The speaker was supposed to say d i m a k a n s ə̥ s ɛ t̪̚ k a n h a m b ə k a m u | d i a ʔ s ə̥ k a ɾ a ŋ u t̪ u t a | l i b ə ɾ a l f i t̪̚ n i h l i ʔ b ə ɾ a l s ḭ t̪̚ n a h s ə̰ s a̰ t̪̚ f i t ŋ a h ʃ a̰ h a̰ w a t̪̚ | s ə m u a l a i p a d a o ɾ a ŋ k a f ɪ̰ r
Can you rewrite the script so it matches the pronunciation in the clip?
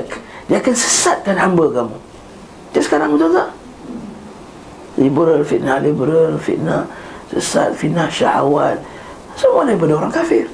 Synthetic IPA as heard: d i a k a n s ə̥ s a t̪̚ k a n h a m b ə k a m u | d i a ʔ s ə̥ k a ɾ a ŋ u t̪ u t a | l i b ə ɾ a l f i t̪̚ n a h l i b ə ɾ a l f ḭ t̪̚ n a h s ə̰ s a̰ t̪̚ f i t n a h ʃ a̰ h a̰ w a t̪̚ | s ə m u a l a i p a d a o ɾ a ŋ k a f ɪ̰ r